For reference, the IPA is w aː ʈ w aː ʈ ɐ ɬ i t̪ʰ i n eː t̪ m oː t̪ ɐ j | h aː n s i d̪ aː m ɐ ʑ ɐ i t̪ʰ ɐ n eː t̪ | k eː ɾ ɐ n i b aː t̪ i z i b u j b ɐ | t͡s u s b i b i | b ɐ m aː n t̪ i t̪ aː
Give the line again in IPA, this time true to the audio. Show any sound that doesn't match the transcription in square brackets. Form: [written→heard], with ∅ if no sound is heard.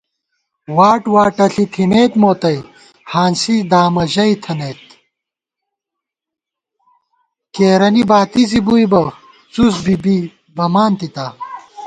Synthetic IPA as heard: w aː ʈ w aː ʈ ɐ ɬ i t̪ʰ i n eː t̪ m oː t̪ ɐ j | h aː n s i d̪ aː m ɐ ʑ ɐ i t̪ʰ ɐ n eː t̪ | k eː ɾ ɐ n i b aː t̪ i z i b u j b ɐ | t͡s u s b i b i | b ɐ m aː n t̪ i t̪ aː